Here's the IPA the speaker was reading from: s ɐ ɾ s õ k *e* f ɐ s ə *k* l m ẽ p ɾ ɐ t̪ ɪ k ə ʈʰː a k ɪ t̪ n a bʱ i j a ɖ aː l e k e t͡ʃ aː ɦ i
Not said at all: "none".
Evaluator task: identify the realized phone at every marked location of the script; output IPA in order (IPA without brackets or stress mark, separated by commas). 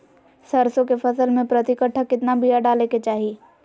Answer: e, none